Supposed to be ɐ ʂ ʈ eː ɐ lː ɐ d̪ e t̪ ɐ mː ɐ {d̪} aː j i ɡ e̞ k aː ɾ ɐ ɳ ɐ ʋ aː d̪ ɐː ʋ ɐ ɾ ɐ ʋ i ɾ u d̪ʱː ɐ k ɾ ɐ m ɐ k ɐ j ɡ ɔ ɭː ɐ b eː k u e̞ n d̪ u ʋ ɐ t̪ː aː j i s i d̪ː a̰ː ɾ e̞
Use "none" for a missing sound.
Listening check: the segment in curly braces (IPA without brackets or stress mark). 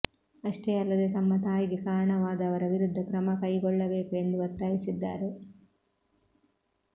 t̪